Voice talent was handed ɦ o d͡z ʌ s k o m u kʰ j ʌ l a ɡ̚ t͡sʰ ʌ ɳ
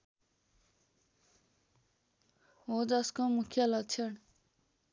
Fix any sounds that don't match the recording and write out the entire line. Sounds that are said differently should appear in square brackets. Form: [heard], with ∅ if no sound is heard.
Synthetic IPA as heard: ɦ o d͡z ʌ s k o m u kʰ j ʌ l [ʌ] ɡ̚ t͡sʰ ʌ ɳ